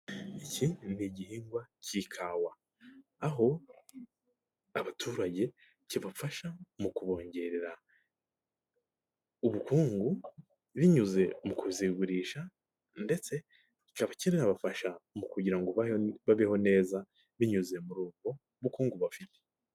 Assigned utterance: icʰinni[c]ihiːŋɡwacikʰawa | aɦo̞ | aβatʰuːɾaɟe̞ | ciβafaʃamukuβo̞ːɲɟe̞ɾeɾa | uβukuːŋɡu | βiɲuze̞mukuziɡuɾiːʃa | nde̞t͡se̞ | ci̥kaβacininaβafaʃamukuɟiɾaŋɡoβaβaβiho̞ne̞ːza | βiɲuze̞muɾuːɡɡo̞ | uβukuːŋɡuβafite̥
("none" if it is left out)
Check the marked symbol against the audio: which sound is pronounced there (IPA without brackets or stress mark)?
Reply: ɟ